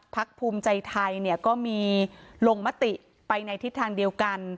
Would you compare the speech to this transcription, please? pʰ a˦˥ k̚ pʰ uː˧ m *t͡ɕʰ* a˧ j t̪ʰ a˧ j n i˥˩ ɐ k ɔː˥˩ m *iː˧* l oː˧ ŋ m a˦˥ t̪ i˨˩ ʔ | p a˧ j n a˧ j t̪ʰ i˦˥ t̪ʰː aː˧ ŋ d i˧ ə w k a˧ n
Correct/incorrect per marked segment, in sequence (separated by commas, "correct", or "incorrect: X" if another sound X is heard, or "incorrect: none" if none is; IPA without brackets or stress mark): incorrect: t͡ɕ, correct